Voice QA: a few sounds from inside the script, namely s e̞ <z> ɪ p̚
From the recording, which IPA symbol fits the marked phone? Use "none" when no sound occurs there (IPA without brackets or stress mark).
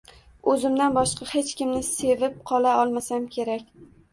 v